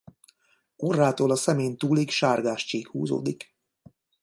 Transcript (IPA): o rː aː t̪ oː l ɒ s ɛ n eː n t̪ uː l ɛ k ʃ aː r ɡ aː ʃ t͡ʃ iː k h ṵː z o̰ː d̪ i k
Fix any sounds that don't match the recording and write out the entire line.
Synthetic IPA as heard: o rː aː t̪ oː l ɒ s ɛ m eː n t̪ uː l i k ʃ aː r ɡ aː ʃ t͡ʃ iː k h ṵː z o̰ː d̪ i k